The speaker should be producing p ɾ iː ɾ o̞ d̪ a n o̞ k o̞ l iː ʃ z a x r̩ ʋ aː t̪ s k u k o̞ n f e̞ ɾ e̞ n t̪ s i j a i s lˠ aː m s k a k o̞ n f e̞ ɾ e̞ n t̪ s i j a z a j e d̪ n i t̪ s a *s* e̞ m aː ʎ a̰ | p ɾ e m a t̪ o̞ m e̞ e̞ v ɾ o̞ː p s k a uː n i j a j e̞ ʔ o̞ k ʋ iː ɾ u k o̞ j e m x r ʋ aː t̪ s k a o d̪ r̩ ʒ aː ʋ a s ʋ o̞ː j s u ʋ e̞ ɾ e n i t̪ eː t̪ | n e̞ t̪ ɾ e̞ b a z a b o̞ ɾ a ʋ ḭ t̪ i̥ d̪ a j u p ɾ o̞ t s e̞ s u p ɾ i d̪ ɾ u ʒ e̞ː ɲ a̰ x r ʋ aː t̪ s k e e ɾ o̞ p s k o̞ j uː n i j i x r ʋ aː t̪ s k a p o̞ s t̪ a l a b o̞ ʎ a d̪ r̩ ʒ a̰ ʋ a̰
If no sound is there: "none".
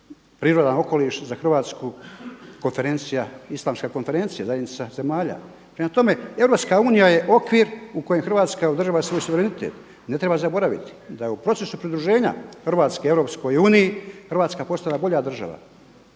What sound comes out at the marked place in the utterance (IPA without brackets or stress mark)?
z